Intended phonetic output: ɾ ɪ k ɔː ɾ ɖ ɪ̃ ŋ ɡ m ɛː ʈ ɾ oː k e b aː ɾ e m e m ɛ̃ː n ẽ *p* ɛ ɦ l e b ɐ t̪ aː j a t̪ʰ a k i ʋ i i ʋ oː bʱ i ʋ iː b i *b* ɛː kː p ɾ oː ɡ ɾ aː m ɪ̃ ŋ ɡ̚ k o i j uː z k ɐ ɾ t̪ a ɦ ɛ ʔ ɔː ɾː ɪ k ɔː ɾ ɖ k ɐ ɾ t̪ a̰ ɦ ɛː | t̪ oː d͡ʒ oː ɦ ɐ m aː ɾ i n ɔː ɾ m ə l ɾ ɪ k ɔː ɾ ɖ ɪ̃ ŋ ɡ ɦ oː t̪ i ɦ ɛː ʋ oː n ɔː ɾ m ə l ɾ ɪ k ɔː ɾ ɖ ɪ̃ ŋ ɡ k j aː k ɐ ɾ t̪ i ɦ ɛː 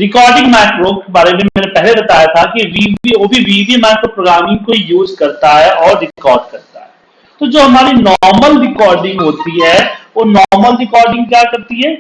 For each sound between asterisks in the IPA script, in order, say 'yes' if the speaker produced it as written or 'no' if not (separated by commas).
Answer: yes, no